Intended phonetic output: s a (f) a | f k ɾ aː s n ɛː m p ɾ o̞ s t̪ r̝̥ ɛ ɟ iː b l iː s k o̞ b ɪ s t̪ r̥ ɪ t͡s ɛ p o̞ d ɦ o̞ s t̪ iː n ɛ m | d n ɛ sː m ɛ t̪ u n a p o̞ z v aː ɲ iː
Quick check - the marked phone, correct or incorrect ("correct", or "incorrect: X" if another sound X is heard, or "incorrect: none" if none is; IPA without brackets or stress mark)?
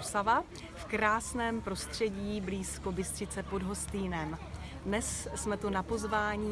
incorrect: v